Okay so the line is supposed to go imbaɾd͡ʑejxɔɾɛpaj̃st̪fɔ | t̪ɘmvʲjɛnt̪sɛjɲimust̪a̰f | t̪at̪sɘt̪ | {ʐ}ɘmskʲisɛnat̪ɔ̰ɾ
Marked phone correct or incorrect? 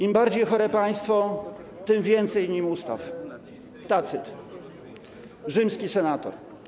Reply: correct